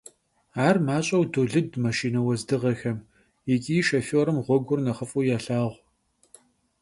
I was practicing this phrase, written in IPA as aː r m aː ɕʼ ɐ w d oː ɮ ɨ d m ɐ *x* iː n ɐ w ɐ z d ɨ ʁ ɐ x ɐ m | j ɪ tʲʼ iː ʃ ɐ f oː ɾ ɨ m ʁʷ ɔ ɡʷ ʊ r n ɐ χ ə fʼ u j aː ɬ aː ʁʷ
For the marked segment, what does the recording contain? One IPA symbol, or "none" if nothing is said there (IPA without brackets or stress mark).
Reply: ʃ